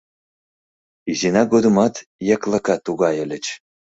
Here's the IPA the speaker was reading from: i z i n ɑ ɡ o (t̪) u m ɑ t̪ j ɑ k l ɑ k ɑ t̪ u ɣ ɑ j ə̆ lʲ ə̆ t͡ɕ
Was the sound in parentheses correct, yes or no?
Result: no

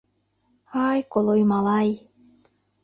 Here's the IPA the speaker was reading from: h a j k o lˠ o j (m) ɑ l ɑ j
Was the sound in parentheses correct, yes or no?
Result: yes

